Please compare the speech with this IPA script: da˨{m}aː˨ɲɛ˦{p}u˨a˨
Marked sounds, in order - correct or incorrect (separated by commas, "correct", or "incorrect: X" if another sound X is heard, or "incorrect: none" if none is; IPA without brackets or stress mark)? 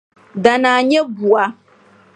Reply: incorrect: n, incorrect: b